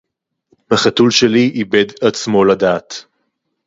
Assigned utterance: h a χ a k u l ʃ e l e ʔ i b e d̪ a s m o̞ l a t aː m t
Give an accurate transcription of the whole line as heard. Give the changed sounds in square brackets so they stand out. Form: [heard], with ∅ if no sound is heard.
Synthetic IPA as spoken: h a χ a [t] u l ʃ e l [i] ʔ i b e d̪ a [t͡s] m o̞ l a [d] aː [∅] t